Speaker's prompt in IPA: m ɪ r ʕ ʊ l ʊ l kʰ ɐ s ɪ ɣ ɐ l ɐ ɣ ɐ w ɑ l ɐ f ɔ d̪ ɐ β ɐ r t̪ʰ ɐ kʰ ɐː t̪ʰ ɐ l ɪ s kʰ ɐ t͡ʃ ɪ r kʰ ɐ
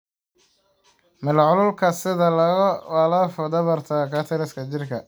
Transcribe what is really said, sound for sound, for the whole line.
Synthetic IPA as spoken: m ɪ l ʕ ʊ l ʊ l kʰ ɐ s ɪ ð ɐ l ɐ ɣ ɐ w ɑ l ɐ f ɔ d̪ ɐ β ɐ r t̪ʰ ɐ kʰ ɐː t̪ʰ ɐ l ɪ s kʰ ɐ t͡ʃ ɪ r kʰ ɐ